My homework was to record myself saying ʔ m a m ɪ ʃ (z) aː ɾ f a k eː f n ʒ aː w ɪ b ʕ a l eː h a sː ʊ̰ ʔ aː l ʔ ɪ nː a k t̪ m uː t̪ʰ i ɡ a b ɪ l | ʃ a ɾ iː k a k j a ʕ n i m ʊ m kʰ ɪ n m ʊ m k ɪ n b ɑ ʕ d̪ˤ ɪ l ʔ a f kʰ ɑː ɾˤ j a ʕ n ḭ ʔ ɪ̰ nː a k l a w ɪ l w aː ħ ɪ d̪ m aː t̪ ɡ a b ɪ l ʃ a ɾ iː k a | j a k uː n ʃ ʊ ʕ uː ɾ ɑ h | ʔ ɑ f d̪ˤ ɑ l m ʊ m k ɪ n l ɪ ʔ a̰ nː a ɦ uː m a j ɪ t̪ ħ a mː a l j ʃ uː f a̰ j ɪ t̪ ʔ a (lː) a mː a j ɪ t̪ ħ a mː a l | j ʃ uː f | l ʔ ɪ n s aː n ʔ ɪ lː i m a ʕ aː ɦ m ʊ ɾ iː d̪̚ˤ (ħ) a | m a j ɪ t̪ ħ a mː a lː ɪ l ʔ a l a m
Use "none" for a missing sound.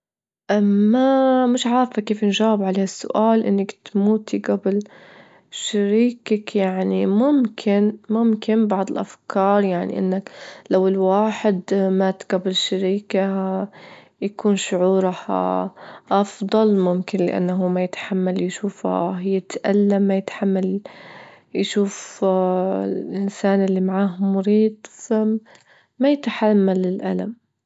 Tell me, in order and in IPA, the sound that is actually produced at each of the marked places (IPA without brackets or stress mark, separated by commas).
ʕ, lː, f